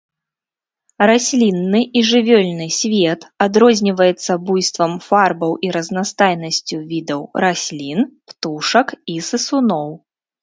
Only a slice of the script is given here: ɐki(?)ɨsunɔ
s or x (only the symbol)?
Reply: s